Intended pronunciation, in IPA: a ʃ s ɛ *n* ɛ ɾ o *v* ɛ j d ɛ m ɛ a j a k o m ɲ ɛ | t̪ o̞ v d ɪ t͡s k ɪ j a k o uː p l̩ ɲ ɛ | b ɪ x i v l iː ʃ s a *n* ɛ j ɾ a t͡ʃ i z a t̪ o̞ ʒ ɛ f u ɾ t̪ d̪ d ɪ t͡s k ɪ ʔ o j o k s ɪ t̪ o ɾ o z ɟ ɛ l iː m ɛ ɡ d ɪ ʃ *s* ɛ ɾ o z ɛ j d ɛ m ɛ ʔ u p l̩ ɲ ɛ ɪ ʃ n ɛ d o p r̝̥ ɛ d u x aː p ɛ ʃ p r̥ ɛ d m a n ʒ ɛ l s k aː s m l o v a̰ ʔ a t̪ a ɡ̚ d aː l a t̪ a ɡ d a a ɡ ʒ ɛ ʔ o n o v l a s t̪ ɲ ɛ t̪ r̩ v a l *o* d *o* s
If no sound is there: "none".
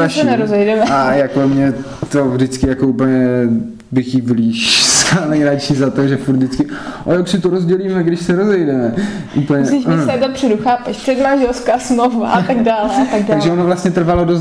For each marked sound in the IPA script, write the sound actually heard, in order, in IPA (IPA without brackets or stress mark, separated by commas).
n, z, n, s, o, o